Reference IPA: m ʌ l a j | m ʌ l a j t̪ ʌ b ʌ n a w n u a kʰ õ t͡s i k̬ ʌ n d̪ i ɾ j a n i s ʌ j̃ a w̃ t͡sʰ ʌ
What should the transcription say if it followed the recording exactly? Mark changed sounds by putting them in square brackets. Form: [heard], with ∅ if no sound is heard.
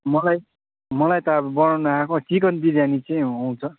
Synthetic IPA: m ʌ l a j | m ʌ l a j t̪ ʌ b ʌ n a w n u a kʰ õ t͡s i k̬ ʌ n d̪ i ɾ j a n i [t͡s] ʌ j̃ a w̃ t͡sʰ ʌ